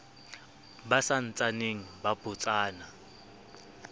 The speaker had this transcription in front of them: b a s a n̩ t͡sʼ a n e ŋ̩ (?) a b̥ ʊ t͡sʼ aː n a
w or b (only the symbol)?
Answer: b